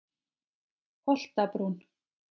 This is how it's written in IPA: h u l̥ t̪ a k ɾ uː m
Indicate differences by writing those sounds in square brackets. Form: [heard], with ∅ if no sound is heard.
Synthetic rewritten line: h [ɔ] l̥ t̪ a [p] ɾ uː [n]